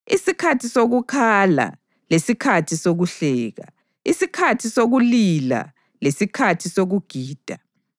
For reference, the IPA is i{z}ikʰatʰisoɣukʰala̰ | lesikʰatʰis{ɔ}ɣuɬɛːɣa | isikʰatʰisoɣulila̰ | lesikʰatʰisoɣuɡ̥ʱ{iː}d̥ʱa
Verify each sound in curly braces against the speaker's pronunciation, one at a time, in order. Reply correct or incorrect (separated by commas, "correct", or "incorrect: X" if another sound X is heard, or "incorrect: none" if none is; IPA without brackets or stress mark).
incorrect: s, incorrect: o, correct